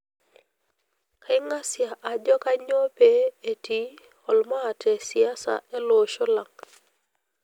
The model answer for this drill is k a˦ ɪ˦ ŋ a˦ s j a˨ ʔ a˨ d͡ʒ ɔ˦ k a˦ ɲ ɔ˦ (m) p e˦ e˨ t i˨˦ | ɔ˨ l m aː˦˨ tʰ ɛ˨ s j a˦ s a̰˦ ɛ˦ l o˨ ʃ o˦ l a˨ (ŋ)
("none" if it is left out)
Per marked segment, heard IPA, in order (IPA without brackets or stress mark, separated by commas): none, ŋ